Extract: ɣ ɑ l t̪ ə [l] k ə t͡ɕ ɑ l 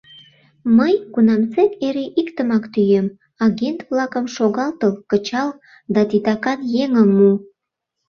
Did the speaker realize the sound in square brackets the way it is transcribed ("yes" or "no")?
yes